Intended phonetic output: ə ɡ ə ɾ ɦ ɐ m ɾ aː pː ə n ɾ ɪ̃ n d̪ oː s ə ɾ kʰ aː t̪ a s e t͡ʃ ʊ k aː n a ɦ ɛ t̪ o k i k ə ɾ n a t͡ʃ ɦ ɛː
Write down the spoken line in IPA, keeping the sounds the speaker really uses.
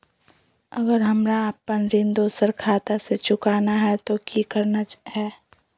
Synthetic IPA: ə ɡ ə ɾ ɦ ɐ m ɾ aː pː ə n ɾ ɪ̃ n d̪ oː s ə ɾ kʰ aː t̪ a s e t͡ʃ ʊ k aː n a ɦ ɛ t̪ o k i k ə ɾ n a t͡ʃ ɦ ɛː